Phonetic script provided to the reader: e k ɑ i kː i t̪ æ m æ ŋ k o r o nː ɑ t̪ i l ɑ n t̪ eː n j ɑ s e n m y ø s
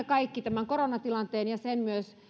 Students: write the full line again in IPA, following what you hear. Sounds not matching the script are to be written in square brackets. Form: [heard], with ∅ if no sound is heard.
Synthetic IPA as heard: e k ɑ i kː i t̪ æ m æ ŋ k o r o [n] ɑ t̪ i l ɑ n t̪ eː n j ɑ s e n m y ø s